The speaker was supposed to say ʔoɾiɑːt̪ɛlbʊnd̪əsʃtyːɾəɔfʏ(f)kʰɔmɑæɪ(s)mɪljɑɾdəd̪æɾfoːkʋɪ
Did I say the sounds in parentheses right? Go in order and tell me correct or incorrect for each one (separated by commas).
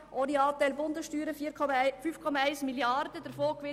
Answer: correct, correct